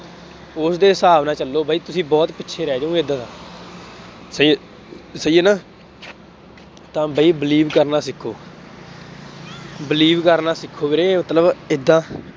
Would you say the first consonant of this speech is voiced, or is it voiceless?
voiceless